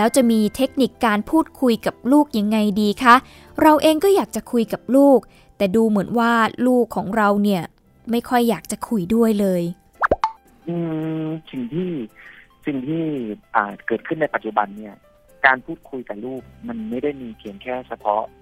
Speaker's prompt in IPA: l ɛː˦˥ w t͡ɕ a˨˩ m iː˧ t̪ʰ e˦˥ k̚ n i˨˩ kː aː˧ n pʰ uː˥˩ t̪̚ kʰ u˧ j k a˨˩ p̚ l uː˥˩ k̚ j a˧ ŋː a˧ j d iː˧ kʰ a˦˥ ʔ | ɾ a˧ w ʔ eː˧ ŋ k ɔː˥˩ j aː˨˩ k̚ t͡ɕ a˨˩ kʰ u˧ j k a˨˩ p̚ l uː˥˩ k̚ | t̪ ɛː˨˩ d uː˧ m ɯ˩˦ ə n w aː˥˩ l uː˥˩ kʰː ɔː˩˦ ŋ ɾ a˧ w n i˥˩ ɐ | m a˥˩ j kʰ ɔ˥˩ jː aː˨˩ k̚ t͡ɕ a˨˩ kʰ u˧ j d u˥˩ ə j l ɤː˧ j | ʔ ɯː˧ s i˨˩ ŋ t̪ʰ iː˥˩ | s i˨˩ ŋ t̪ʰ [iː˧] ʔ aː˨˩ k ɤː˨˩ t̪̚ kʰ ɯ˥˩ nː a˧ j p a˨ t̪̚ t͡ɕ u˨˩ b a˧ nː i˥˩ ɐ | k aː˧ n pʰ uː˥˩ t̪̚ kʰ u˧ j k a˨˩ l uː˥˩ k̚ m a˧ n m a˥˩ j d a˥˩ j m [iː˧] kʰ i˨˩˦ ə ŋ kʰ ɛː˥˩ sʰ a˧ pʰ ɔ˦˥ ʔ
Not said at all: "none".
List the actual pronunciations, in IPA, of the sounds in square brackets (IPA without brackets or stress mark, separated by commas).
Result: iː˥˩, iː˧